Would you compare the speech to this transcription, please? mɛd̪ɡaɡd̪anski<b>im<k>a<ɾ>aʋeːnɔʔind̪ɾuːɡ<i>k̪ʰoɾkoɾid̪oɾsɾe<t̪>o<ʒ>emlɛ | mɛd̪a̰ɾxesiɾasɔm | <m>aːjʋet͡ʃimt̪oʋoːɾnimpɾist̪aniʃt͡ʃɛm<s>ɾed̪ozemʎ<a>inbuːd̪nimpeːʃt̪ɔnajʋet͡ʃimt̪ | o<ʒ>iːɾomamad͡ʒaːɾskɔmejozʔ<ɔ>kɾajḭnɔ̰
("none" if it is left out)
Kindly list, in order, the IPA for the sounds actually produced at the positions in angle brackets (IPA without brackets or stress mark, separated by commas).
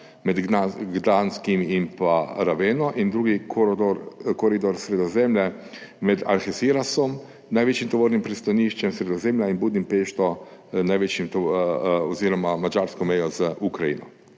m, p, ɾ, i, d̪, z, n, s, a, z, u